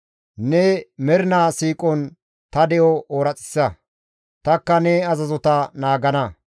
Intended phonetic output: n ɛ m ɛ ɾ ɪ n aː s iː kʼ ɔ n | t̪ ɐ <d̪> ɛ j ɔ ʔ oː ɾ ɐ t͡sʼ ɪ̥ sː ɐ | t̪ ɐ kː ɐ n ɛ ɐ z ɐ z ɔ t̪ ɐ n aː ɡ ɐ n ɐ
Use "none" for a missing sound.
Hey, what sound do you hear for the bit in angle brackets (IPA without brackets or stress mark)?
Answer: d̪